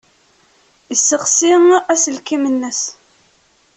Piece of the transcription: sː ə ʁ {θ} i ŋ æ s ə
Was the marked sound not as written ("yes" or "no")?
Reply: yes